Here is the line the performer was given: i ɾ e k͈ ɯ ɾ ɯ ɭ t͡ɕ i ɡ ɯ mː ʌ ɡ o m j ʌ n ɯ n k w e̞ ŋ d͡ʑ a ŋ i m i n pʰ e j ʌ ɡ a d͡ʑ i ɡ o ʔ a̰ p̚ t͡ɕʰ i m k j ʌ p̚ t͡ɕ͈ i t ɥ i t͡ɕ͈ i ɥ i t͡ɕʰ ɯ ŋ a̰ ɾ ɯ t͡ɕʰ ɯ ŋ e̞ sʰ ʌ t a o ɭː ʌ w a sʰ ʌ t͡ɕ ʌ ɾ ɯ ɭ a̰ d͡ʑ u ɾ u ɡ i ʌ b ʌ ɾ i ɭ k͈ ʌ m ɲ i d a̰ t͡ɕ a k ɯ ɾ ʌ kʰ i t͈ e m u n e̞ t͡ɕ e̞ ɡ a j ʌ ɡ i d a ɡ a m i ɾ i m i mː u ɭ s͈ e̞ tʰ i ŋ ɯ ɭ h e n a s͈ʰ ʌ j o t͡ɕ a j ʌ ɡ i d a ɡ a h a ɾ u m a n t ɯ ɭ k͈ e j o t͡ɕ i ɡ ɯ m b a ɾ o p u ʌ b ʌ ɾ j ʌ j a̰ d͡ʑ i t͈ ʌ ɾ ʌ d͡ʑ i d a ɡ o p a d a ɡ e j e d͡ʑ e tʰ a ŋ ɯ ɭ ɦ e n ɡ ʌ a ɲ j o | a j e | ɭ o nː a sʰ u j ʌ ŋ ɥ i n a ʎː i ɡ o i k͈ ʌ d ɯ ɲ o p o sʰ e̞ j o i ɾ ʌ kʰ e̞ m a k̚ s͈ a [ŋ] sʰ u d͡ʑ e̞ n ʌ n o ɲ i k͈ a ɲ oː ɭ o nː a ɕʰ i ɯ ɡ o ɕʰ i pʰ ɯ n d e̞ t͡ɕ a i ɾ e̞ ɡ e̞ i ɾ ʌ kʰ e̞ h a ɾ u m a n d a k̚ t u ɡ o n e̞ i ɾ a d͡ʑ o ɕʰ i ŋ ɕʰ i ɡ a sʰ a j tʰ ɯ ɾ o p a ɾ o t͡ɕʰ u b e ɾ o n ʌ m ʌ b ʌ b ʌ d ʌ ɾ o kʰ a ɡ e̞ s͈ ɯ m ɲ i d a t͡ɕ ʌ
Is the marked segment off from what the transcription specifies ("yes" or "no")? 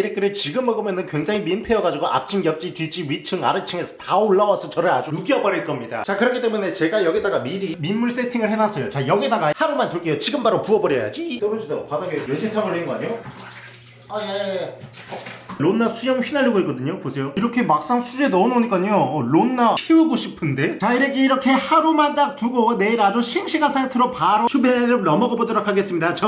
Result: no